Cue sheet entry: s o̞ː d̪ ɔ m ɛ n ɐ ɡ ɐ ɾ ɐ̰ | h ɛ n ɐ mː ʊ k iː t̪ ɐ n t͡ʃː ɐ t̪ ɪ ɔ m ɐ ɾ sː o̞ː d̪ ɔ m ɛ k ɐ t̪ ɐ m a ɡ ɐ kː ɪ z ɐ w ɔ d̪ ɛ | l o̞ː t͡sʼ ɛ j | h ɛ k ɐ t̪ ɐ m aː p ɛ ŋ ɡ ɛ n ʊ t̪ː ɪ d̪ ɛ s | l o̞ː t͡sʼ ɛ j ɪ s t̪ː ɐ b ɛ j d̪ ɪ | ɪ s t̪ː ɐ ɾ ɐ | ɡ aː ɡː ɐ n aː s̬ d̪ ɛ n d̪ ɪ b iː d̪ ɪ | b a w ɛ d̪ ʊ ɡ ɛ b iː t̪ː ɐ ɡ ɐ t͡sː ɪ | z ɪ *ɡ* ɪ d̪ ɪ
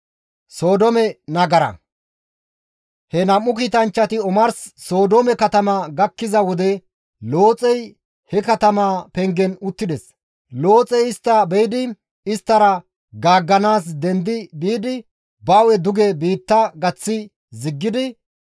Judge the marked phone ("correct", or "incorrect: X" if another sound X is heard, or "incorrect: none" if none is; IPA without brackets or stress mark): incorrect: ɡː